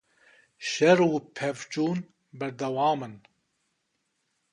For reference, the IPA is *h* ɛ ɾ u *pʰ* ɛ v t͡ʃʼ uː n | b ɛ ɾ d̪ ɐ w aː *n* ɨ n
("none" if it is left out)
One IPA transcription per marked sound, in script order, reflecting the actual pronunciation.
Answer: ʃ, pʰ, m

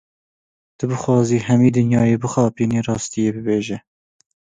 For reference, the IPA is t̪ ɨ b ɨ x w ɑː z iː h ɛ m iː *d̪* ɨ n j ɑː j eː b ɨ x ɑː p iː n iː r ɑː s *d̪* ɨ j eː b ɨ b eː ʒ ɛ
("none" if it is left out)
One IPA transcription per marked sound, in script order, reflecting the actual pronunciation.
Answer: d̪, t̪

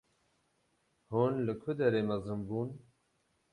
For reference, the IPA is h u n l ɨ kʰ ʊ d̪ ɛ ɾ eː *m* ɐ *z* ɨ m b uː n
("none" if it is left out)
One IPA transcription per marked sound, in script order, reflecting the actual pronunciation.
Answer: m, z

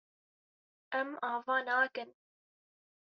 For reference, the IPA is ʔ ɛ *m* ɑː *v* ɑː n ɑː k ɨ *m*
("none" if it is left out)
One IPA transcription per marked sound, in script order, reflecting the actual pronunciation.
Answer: m, v, n

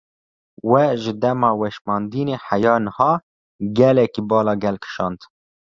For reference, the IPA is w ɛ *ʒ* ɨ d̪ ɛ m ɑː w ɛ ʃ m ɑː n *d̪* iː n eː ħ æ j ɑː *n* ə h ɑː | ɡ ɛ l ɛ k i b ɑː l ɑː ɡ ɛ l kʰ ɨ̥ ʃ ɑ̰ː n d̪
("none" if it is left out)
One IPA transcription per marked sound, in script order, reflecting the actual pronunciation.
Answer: ʒ, d̪, n

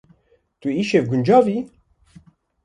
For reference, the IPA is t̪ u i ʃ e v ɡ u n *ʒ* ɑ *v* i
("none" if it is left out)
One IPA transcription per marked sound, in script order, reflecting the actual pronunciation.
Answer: d͡ʒ, v

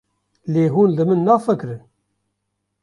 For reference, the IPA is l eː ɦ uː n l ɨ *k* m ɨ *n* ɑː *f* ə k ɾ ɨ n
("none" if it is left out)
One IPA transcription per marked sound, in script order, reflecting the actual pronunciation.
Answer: none, nː, f

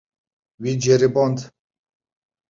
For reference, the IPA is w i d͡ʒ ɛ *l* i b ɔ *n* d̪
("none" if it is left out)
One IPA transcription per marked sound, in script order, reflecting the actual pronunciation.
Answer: ɾ, n

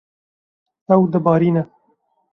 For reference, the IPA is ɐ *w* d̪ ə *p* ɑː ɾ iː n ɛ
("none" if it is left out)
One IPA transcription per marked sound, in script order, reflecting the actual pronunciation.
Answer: w, b

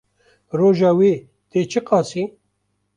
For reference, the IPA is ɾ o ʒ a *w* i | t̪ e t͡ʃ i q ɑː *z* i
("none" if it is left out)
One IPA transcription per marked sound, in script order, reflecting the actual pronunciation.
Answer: w, s

